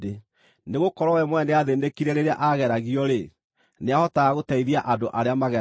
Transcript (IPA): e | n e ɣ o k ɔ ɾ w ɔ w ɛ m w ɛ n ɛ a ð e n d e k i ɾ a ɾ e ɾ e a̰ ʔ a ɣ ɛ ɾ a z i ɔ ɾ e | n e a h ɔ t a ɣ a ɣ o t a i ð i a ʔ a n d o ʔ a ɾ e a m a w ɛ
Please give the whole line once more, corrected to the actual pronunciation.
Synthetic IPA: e | n e ɣ o k ɔ ɾ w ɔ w ɛ m w ɛ n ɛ a ð e n d e k i ɾ ɛ ɾ e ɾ e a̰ ʔ a ɣ ɛ ɾ a ɣ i ɔ ɾ e | n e a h ɔ t a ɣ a ɣ o t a i ð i a ʔ a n d o ʔ a ɾ e a m a ɣ ɛ